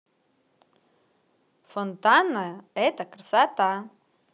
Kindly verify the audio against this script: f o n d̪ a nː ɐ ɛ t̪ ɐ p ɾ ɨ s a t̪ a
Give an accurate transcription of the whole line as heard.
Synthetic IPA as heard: f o n t̪ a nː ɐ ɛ t̪ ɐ k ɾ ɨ s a t̪ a